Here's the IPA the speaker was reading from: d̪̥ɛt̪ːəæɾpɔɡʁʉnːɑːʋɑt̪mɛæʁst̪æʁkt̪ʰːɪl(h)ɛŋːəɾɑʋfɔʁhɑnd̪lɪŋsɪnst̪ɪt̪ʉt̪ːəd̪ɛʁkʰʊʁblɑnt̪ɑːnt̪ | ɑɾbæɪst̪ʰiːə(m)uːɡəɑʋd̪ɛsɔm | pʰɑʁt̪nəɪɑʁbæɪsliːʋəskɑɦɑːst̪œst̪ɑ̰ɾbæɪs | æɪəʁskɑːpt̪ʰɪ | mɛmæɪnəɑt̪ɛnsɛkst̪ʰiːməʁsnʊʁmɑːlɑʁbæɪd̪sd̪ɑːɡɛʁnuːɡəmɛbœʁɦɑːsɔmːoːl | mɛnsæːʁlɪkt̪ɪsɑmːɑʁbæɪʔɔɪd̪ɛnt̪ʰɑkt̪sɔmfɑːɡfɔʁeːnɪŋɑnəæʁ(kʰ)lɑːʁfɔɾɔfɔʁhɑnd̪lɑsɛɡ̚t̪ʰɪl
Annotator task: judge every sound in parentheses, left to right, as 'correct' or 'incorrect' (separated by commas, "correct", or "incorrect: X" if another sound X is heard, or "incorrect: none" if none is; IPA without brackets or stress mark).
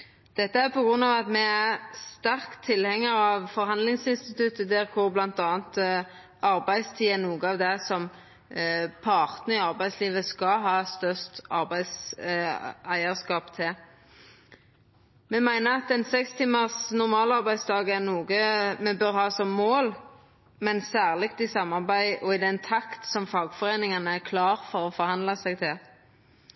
correct, incorrect: n, correct